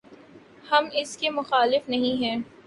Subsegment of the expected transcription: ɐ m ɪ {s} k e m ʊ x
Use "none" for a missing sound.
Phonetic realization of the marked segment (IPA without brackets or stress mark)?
s